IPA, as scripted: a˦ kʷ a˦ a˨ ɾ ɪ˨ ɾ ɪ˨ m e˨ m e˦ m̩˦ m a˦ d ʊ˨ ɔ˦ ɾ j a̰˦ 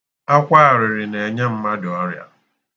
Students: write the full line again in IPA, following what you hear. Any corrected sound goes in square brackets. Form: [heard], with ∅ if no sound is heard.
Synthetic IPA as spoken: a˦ kʷ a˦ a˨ ɾ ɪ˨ ɾ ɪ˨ [n] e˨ [ɲ] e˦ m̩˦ m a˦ d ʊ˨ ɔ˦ ɾ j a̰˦